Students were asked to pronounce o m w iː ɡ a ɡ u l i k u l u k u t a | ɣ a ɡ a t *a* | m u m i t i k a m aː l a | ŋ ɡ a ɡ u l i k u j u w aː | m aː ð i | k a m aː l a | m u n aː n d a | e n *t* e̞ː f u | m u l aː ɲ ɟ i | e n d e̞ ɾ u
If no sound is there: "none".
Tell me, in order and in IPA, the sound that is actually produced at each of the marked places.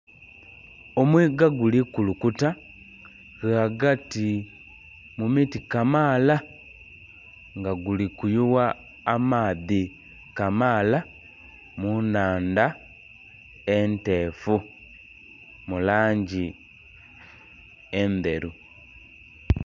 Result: i, t

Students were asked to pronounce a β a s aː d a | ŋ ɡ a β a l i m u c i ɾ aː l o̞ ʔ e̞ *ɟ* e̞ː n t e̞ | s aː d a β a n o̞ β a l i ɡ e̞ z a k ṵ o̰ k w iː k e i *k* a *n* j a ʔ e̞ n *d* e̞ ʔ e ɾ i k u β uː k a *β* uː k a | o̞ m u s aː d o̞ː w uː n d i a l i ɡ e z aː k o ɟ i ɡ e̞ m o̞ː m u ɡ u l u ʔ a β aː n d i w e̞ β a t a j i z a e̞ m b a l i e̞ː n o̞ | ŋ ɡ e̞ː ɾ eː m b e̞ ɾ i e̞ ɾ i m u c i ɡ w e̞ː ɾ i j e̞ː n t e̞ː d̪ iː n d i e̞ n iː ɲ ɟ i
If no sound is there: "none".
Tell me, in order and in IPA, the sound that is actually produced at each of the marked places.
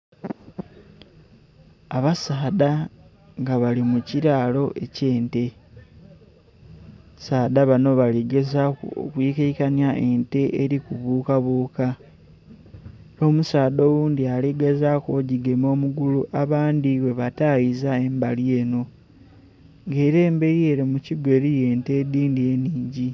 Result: c, k, n, t, β

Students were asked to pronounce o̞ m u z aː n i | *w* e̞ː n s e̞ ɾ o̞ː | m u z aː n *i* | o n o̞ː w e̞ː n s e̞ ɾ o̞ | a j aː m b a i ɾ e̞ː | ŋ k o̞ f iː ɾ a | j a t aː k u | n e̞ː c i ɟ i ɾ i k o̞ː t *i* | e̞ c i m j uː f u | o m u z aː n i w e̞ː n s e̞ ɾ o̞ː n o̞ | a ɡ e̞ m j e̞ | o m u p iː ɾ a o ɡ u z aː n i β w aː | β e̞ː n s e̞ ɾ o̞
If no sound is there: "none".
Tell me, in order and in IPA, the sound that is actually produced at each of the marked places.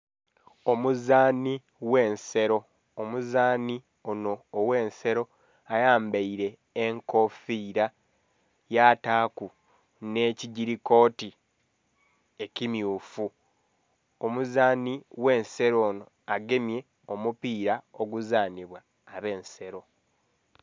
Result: w, i, i

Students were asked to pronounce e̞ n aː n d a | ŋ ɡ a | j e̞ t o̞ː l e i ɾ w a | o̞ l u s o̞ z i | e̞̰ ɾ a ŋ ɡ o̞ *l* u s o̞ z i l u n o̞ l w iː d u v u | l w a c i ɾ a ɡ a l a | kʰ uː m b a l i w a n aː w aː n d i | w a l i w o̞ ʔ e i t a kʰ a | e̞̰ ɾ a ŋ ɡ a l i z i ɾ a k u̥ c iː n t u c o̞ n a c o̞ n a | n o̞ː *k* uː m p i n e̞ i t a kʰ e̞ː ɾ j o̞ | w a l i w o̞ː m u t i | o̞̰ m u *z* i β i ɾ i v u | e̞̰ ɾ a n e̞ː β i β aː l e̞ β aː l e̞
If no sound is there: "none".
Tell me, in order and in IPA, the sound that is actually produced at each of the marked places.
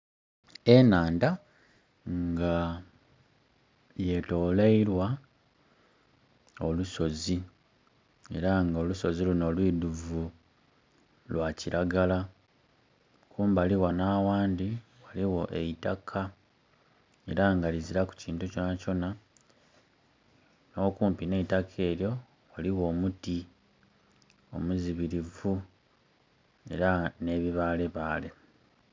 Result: l, k, z

